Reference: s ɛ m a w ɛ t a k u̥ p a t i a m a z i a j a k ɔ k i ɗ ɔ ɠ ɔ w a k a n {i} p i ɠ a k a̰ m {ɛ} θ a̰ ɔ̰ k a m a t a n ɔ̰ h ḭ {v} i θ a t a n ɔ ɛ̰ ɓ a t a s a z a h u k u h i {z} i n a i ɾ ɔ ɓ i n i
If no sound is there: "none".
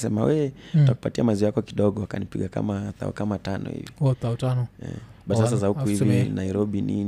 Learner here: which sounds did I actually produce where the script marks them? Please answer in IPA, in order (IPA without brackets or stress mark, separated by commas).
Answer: i, a, v, v